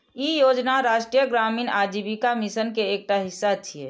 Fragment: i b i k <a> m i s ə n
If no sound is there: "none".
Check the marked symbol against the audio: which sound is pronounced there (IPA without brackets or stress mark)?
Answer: a